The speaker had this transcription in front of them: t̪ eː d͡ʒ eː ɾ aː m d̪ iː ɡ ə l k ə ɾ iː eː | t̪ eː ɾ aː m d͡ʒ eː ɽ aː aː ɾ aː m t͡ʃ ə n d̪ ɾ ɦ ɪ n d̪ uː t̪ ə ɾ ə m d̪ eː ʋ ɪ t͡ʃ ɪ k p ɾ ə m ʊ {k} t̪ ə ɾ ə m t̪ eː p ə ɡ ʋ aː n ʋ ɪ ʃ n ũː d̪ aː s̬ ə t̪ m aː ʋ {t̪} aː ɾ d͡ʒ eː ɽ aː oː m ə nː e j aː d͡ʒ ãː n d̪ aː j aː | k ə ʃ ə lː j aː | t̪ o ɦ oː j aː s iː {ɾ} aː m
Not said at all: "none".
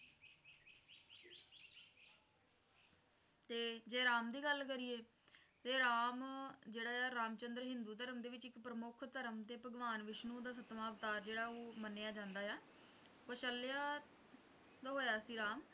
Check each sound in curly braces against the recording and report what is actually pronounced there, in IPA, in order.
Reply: kʰ, t̪, ɾ

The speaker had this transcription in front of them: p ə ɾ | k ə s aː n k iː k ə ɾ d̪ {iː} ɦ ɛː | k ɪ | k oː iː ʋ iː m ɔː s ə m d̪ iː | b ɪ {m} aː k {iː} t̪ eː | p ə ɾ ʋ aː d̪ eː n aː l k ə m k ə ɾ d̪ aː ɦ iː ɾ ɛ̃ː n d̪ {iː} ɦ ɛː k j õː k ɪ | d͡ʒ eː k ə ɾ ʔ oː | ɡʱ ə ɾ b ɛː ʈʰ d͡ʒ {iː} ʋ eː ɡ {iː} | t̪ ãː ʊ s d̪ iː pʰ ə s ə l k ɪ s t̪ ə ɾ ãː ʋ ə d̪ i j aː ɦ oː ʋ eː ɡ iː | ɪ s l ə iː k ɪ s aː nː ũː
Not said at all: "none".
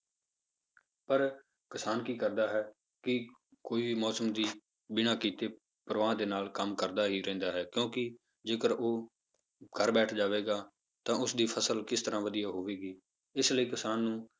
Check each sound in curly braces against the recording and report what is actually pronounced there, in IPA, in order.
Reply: aː, n, iː, aː, aː, aː

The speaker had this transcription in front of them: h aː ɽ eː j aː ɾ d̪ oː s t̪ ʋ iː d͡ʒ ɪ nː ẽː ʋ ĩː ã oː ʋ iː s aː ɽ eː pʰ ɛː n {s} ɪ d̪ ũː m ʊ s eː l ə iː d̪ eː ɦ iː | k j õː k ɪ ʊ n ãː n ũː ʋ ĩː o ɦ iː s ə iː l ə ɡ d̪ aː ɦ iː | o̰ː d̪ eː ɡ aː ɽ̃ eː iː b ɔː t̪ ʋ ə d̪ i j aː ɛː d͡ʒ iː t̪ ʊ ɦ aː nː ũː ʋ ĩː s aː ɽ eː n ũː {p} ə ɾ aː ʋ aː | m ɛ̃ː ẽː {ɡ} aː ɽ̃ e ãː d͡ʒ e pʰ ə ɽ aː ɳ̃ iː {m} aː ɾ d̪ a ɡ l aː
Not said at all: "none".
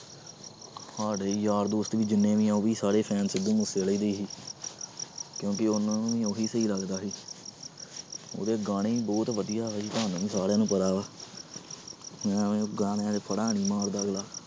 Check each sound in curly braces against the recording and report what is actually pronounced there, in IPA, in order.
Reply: s, p, ɡ, m

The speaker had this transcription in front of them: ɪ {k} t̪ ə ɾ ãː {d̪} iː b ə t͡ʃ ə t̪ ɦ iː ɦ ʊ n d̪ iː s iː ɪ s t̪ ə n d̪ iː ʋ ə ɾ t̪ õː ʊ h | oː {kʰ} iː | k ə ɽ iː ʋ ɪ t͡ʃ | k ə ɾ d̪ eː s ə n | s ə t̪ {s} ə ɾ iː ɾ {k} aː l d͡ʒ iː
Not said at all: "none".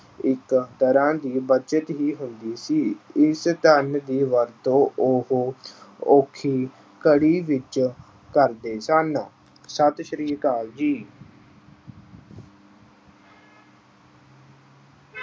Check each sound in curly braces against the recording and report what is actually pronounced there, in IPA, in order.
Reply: k, d̪, kʰ, ʃ, k

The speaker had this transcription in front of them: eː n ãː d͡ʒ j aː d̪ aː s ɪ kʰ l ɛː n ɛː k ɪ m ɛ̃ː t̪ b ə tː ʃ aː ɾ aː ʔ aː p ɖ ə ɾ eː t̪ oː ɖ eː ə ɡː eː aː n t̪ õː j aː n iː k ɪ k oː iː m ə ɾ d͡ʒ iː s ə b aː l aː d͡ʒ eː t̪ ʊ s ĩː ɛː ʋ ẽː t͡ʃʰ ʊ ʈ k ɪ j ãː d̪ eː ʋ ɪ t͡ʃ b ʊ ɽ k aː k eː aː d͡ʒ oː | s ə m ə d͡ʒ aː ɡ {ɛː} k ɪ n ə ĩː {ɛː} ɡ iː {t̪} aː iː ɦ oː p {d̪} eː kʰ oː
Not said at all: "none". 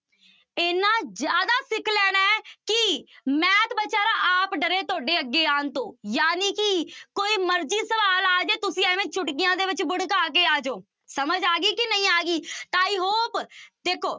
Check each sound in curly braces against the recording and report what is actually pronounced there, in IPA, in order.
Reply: iː, aː, t̪, d̪

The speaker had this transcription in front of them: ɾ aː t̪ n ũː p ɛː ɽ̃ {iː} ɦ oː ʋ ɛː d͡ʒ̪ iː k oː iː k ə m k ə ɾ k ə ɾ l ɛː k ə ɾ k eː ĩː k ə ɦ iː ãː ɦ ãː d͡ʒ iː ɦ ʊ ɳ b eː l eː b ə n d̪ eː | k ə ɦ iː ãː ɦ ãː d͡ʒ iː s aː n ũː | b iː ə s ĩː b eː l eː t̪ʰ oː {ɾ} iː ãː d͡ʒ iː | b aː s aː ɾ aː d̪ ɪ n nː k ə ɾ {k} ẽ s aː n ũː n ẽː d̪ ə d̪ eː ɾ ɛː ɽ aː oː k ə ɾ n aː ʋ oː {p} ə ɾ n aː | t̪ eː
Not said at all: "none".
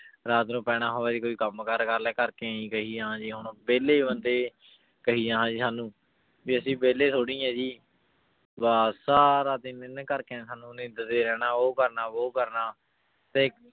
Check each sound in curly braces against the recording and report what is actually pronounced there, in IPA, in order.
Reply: aː, ɽ, k, k

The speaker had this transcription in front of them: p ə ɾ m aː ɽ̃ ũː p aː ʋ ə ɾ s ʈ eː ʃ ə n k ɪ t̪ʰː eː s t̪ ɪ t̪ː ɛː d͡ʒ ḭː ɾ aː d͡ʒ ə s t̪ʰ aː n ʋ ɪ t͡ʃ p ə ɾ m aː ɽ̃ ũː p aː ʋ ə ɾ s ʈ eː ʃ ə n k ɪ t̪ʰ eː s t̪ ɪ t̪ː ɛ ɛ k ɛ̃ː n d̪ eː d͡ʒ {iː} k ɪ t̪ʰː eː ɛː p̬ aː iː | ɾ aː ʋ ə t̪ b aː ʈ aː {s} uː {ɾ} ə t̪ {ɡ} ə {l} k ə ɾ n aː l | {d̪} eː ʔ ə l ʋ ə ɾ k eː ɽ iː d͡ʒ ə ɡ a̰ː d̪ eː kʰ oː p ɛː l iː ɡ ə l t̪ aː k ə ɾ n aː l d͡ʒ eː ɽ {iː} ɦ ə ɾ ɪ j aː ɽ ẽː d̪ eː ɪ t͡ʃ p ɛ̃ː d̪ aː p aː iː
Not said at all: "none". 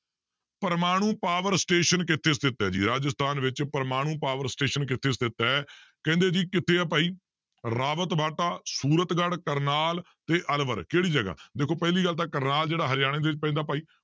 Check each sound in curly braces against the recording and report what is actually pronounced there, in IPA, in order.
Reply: iː, s, ɾ, ɡ, ɽ, t̪, aː

